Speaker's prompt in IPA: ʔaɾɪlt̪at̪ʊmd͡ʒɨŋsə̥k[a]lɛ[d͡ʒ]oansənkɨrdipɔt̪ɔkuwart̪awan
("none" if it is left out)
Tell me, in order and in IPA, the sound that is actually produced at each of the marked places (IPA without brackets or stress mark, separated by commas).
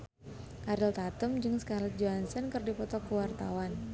a, d͡ʒ